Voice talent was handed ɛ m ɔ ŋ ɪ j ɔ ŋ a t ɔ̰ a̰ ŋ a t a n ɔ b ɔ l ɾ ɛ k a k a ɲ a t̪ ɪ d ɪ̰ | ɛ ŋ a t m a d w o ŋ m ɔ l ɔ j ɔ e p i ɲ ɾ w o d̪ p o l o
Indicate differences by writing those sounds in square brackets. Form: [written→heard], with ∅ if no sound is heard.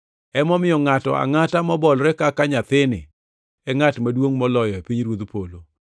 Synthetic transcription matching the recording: ɛ m ɔ [ŋ→m] ɪ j ɔ ŋ a t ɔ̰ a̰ ŋ a t a [n→m] ɔ b ɔ l ɾ ɛ k a k a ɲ a t̪ ɪ [d→n] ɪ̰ | ɛ ŋ a t m a d w o ŋ m ɔ l ɔ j ɔ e p i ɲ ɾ w o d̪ p o l o